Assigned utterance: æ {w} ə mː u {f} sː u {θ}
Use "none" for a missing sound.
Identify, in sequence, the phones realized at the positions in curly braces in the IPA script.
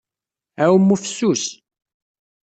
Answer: w, f, s

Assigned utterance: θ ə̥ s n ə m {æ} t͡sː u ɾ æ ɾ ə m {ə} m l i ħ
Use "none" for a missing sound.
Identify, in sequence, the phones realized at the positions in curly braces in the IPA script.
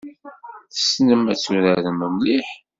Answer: æ, ə

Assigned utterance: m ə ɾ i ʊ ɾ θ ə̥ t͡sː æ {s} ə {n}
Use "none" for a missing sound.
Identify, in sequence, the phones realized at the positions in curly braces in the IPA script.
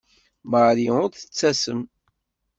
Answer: s, m

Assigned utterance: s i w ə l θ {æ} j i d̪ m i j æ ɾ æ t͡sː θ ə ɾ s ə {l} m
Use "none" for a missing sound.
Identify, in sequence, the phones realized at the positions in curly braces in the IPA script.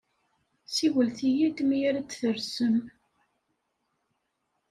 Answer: i, none

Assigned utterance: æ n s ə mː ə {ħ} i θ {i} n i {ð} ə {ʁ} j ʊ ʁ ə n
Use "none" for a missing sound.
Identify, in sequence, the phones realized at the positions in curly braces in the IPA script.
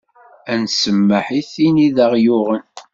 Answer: ħ, i, ð, ʁ

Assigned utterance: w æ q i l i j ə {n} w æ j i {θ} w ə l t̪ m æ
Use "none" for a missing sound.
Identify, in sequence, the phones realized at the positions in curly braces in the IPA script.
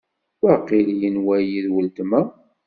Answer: n, ð

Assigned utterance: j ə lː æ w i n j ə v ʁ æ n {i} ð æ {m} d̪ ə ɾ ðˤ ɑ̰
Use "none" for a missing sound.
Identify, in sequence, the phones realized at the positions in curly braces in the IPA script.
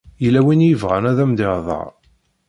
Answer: æ, m

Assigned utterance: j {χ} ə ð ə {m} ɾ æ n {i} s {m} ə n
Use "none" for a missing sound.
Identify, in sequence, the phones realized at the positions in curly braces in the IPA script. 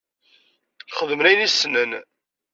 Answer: χ, m, i, n

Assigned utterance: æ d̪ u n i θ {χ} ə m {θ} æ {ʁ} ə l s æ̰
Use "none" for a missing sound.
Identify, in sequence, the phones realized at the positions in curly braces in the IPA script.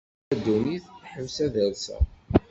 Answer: ħ, s, ð

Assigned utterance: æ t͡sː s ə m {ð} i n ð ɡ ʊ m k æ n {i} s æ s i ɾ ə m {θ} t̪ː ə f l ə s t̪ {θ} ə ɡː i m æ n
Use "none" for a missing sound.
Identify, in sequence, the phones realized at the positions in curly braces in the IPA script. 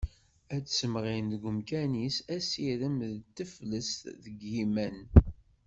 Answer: ʁ, i, ð, ð

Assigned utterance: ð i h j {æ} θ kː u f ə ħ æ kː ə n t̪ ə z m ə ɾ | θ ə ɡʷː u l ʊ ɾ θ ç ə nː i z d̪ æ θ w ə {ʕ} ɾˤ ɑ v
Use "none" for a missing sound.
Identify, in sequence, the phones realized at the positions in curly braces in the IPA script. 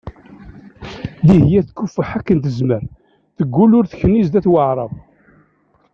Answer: æ, ʕ

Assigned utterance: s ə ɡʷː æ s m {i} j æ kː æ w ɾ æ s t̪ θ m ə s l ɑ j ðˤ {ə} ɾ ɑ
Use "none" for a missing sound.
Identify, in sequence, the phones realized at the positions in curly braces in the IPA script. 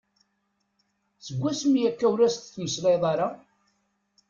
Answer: i, ɑ

